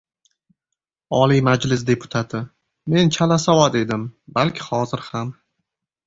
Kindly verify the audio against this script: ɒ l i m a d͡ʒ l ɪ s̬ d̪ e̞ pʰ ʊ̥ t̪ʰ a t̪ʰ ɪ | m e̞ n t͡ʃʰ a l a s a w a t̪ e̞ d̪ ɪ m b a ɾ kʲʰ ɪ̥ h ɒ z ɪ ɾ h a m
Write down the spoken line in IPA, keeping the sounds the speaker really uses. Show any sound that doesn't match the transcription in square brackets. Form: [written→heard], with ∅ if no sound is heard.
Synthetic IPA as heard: ɒ l i m a d͡ʒ l ɪ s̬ d̪ e̞ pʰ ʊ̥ t̪ʰ a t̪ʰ ɪ | m e̞ n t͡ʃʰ a l a s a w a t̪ e̞ d̪ ɪ m b a [ɾ→l] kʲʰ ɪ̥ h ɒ z ɪ ɾ h a m